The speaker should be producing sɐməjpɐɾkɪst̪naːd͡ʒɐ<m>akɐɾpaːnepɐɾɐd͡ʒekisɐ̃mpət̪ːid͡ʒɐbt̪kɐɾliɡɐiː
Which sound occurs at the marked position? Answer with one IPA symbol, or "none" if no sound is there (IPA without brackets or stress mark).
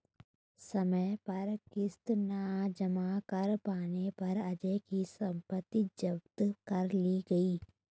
m